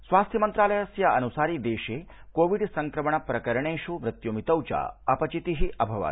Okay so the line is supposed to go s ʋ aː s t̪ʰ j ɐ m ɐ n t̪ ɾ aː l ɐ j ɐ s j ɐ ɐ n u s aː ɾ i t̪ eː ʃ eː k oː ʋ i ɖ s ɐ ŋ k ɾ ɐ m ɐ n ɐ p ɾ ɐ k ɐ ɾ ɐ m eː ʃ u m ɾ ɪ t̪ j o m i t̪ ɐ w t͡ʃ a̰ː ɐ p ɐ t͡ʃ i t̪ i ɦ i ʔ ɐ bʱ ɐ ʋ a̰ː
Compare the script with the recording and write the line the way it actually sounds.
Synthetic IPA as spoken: s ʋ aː s t̪ʰ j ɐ m ɐ n t̪ ɾ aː l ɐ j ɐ s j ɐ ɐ n u s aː ɾ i d̪ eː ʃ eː k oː ʋ i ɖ s ɐ ŋ k ɾ ɐ m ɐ ɳ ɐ p ɾ ɐ k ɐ ɾ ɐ ɳ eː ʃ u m ɾ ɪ t̪ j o m i t̪ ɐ w t͡ʃ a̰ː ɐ p ɐ t͡ʃ i t̪ i ɦ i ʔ ɐ bʱ ɐ ʋ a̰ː